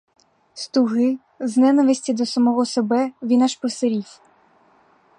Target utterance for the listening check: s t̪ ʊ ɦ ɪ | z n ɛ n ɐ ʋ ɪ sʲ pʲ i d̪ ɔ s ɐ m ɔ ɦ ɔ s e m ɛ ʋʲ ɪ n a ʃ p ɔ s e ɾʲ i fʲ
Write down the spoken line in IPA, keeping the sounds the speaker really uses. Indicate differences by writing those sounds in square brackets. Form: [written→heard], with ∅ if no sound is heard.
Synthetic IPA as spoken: s t̪ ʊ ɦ ɪ | z n ɛ n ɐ ʋ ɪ sʲ [pʲ→tʲ] i d̪ ɔ s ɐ m ɔ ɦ ɔ s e [m→b] ɛ ʋʲ [ɪ→i] n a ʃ p ɔ s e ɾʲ i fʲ